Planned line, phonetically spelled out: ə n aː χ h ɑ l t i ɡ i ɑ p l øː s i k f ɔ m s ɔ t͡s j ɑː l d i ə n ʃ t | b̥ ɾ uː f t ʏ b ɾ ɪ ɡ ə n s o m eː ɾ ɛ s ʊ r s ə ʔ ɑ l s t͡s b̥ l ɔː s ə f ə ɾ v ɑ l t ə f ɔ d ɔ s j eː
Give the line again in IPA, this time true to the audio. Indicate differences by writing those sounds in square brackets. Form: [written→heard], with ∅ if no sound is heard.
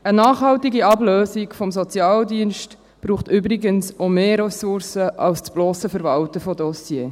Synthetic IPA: ə n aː χ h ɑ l t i ɡ i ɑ [p→b] l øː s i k f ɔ m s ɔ t͡s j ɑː l d i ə n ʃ t | b̥ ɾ uː [f→χ] t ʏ b ɾ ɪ ɡ ə n s o m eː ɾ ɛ s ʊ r s ə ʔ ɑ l s t͡s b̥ l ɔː s ə f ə ɾ v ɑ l t ə f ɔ d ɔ s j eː